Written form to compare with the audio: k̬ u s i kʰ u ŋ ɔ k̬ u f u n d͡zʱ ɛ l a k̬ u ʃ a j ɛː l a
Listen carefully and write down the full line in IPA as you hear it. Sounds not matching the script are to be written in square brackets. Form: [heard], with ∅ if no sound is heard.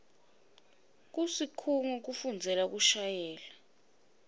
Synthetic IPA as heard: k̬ u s i kʰ u ŋ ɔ k̬ u f u n d͡zʱ ɛ l a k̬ u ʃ a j ɛː l a